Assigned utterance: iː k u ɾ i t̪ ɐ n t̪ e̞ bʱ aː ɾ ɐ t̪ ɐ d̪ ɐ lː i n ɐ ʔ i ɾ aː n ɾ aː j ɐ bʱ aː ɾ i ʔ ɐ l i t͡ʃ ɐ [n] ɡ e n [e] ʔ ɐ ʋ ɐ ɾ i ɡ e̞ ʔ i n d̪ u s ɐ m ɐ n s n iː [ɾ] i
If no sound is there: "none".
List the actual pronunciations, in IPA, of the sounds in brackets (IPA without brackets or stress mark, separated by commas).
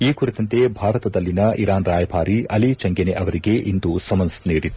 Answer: ŋ, e, ɽ